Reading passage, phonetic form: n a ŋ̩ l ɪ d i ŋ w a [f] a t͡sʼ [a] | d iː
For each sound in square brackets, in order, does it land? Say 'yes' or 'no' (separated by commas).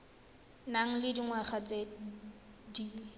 no, no